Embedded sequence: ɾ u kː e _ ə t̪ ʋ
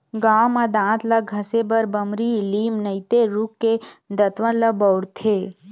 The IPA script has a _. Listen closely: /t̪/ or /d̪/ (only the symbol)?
d̪